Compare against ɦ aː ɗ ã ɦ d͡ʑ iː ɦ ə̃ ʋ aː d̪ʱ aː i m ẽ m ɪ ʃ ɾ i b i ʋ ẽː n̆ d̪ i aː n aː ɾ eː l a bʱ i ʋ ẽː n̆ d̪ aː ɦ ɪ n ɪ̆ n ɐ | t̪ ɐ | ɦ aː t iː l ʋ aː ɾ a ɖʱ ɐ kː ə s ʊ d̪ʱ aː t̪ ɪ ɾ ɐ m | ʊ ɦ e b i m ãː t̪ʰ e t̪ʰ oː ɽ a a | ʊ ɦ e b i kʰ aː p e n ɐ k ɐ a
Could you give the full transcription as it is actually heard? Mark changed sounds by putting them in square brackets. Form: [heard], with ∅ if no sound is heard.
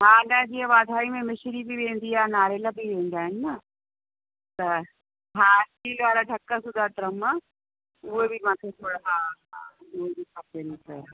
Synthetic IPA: ɦ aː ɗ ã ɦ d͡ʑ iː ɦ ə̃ ʋ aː d̪ʱ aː i m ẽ m ɪ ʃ ɾ i b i ʋ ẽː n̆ d̪ i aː n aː ɾ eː l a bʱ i ʋ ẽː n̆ d̪ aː ɦ ɪ n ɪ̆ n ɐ | t̪ ɐ | ɦ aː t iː l ʋ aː ɾ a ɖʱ ɐ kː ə s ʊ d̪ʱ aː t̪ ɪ ɾ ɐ m | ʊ ɦ e b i m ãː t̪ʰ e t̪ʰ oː ɽ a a | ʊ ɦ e b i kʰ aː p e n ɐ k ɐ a

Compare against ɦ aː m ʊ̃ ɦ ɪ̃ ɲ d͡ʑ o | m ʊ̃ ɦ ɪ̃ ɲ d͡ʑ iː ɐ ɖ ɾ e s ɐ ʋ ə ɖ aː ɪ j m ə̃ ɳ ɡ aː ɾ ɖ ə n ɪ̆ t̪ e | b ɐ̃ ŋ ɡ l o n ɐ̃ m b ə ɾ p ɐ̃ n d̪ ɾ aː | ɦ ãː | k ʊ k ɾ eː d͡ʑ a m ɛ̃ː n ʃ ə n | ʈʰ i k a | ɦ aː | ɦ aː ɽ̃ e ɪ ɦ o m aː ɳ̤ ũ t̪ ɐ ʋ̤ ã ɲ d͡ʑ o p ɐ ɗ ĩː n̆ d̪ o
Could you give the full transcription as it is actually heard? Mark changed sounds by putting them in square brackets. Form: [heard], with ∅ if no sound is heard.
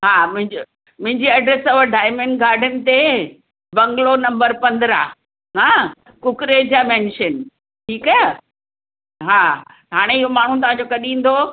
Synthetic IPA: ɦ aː m ʊ̃ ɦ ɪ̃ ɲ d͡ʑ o | m ʊ̃ ɦ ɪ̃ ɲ d͡ʑ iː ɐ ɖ ɾ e s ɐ ʋ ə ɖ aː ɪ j m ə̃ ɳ ɡ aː ɾ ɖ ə n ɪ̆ t̪ e | b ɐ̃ ŋ ɡ l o n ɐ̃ m b ə ɾ p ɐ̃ n d̪ ɾ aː | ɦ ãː | k ʊ k ɾ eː d͡ʑ a m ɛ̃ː n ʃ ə n | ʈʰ [iː] k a | ɦ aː | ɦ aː ɽ̃ e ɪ ɦ o m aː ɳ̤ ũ t̪ ɐ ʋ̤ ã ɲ d͡ʑ o [k] ɐ ɗ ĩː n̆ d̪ o

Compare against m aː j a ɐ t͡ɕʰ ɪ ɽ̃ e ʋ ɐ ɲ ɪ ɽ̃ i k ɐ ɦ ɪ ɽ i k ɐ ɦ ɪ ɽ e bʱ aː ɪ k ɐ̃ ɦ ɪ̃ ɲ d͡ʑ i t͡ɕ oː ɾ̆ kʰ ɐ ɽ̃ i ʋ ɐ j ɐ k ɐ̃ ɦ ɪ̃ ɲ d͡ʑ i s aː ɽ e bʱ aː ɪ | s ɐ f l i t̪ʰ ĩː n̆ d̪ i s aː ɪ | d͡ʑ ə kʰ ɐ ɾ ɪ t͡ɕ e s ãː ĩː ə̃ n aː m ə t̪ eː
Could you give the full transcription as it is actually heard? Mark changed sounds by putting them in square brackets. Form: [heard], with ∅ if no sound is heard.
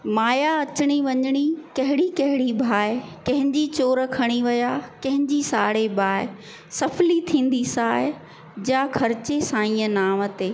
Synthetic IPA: m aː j a ɐ [t͡ɕ] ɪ ɽ̃ [i] ʋ ɐ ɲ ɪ ɽ̃ i k ɐ ɦ ɪ ɽ i k ɐ ɦ ɪ ɽ [i] bʱ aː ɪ k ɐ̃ ɦ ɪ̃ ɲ d͡ʑ i t͡ɕ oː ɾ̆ kʰ ɐ ɽ̃ i ʋ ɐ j [a] k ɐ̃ ɦ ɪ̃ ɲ d͡ʑ i s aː ɽ e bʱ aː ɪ | s ɐ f l i t̪ʰ ĩː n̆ d̪ i s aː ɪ | d͡ʑ [a] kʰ ɐ ɾ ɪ t͡ɕ e s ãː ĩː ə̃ n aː m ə t̪ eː

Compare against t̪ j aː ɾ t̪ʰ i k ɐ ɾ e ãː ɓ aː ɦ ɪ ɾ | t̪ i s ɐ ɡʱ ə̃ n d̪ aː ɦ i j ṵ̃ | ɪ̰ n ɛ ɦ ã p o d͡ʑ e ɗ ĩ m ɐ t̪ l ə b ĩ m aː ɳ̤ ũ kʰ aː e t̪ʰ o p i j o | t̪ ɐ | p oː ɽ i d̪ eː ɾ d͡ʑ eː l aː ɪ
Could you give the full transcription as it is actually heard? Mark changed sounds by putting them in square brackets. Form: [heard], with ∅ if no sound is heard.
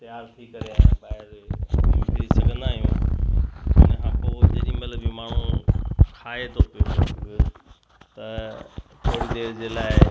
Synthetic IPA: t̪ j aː ɾ t̪ʰ i k ɐ ɾ e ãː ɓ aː ɦ ɪ ɾ | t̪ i s ɐ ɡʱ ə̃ n d̪ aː ɦ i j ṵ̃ | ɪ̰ n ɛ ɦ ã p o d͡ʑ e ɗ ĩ m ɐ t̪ l ə b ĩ m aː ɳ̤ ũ kʰ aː e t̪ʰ o p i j o | t̪ ɐ | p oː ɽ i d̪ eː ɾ d͡ʑ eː l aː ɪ

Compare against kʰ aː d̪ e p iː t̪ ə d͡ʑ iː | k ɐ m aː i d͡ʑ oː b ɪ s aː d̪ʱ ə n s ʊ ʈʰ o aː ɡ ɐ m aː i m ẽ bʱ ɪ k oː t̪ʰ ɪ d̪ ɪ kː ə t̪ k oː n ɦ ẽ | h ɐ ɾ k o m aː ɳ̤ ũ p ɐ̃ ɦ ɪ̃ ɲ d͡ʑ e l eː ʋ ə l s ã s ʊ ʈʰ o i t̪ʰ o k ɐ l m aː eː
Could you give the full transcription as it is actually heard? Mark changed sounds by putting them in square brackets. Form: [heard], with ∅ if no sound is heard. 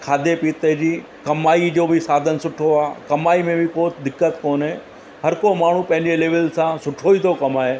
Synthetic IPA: kʰ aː d̪ e p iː t̪ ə d͡ʑ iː | k ɐ m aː i d͡ʑ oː b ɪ s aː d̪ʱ ə n s ʊ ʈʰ o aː [k] ɐ m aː i m ẽ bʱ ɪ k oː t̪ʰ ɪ d̪ ɪ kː ə t̪ k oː n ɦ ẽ | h ɐ ɾ k o m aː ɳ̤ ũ p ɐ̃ ɦ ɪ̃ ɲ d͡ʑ e l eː ʋ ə l s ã s ʊ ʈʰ o i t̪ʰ o k ɐ [∅] m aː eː

